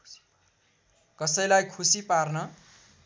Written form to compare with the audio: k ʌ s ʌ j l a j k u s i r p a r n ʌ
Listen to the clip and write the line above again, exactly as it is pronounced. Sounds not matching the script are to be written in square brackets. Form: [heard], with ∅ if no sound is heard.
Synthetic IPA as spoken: k ʌ s ʌ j l a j [kʰ] u s i [∅] p a r n ʌ